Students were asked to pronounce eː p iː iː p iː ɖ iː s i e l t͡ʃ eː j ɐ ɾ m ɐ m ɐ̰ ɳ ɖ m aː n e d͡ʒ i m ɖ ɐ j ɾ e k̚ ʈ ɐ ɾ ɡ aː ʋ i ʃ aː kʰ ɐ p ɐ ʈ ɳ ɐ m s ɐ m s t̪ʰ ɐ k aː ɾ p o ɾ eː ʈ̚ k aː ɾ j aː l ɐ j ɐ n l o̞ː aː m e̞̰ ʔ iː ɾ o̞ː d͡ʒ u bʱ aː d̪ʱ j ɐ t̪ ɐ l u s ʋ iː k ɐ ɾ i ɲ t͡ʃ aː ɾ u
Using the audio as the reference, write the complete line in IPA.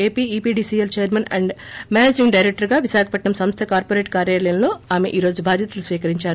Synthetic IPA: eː p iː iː p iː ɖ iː s i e l t͡ʃ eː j ɐ ɾ m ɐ n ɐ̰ ɳ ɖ m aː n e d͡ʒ i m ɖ ɐ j ɾ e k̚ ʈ ɐ ɾ ɡ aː ʋ i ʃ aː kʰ ɐ p ɐ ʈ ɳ ɐ m s ɐ m s t̪ʰ ɐ k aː ɾ p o ɾ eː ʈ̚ k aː ɾ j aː l ɐ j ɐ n l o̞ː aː m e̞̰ ʔ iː ɾ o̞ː d͡ʒ u bʱ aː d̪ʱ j ɐ t̪ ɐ l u s ʋ iː k ɐ ɾ i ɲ t͡ʃ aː ɾ u